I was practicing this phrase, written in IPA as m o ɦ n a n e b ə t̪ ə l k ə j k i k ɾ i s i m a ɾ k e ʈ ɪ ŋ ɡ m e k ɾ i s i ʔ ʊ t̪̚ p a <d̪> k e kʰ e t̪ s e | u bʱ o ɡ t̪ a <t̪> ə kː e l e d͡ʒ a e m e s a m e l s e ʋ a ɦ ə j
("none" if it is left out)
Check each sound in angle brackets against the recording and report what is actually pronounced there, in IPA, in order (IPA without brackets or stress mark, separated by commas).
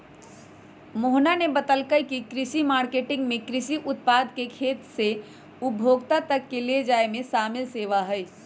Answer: d̪, t̪